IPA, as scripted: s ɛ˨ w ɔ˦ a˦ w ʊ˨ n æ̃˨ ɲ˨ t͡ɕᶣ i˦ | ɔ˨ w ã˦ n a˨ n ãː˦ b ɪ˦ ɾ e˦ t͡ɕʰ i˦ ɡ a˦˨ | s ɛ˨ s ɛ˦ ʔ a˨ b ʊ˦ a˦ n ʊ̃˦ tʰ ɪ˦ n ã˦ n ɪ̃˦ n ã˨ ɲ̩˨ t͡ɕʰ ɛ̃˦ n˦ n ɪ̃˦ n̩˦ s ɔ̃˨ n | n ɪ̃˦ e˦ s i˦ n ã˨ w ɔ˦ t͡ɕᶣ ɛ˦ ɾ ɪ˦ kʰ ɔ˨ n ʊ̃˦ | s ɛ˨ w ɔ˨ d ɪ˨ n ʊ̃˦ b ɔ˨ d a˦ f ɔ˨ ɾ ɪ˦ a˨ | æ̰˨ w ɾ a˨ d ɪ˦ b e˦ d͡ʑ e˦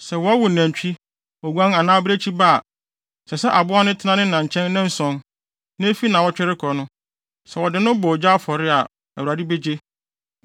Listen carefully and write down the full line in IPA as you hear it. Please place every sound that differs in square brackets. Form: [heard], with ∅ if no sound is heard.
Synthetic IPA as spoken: s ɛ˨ w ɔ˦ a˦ w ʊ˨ n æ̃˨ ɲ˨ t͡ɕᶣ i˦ | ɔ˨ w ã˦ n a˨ n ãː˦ b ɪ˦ ɾ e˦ t͡ɕʰ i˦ [b] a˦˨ | s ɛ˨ s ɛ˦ ʔ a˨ b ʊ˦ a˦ n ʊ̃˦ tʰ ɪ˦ n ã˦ n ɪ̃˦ n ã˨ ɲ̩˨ t͡ɕʰ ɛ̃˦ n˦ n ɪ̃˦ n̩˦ s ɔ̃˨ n | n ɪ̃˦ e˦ [f] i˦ n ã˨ w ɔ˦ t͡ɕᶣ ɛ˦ ɾ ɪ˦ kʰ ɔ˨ n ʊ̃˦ | s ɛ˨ w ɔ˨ d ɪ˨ n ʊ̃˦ b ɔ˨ [d͡ʑ] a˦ f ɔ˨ ɾ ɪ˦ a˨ | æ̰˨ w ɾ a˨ d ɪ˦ b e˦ d͡ʑ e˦